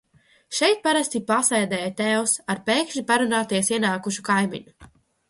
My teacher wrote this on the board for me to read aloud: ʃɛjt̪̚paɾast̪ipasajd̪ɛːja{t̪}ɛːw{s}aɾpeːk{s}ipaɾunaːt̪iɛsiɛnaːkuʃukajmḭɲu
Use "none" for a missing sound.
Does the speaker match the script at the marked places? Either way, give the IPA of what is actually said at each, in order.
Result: t̪, s, ʃ

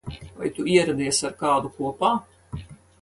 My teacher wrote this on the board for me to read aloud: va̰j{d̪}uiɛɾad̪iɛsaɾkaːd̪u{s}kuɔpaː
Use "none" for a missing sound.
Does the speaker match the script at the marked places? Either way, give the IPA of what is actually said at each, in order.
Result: t̪, none

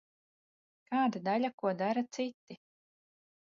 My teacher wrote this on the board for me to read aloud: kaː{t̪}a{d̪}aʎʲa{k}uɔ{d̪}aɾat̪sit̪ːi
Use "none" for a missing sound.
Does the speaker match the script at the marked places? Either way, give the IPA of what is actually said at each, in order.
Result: d̪, d̪, k, d̪

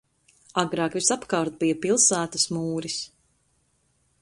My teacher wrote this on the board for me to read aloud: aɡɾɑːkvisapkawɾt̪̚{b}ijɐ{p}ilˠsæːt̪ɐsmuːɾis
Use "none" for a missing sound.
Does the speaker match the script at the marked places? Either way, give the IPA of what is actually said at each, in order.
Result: b, p

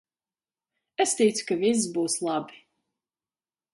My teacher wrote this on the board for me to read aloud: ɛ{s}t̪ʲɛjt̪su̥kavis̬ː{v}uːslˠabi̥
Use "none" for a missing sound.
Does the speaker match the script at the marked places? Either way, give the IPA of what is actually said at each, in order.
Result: s, b

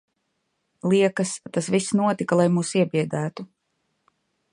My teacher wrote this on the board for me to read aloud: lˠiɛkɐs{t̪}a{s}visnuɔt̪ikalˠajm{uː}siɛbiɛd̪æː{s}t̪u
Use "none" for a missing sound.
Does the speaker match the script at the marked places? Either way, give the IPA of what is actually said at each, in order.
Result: t̪, s, uː, none

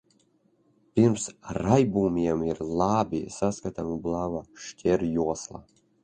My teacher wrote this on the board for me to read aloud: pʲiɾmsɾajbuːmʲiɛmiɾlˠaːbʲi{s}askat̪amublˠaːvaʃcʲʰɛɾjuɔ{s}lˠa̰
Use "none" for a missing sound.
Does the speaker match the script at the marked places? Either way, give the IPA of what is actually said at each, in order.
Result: s, s

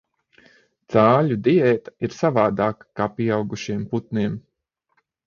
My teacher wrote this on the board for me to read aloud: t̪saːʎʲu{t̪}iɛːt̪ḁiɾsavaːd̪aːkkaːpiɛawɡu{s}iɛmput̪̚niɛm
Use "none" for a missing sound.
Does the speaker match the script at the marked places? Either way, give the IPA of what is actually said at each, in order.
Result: d̪, ʃ

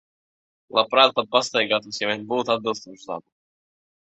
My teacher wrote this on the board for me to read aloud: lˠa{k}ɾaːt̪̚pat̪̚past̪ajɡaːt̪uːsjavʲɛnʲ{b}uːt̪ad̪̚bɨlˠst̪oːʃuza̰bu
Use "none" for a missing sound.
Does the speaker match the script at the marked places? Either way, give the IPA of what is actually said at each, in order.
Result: p, b

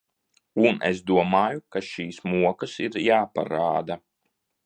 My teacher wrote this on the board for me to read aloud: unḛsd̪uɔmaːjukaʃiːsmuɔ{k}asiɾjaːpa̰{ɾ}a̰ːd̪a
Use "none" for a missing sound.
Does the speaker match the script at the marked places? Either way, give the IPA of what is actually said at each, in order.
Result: k, ɾ

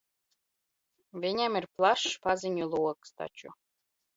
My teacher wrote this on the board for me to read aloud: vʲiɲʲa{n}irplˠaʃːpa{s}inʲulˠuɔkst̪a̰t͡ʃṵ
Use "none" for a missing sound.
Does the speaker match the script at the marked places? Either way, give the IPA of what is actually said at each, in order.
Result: m, z

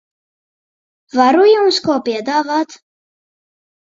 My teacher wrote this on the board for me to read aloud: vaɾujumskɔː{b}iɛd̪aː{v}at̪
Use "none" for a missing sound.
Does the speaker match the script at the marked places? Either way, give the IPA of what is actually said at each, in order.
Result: p, v

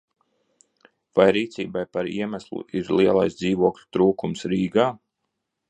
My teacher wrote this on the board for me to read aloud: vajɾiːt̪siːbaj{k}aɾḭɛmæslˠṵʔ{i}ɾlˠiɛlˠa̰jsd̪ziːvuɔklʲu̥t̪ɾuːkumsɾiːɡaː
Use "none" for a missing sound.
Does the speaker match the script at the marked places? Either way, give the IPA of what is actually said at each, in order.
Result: p, i

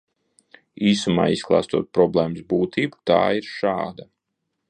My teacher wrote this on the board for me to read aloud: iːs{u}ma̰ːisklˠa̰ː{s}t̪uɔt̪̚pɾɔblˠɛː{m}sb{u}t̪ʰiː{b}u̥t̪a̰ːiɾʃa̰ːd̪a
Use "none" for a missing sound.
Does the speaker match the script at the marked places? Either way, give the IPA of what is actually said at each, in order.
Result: u, s, m, uː, b

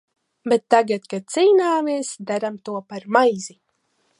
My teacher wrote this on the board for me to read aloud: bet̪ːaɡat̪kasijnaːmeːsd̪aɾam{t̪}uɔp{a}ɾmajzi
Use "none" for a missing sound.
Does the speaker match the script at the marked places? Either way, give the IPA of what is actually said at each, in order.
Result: t̪, a

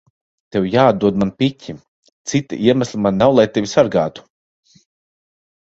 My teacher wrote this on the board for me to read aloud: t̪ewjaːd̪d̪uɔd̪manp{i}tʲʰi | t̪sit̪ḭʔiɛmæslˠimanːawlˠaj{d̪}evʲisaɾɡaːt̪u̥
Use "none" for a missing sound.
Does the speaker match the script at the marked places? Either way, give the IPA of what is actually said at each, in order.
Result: i, t̪

